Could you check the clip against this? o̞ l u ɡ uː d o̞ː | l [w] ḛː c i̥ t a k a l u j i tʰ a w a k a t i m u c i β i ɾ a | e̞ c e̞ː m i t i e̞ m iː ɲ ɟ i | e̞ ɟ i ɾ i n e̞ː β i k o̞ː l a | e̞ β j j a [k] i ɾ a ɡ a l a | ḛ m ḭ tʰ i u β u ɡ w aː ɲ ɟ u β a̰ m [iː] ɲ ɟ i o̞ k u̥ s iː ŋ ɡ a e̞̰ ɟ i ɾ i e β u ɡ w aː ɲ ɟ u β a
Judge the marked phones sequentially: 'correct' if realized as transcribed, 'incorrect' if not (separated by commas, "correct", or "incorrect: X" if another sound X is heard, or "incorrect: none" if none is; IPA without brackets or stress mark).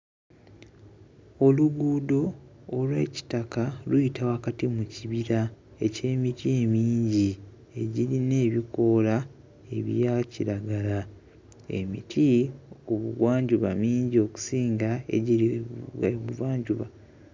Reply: correct, incorrect: c, correct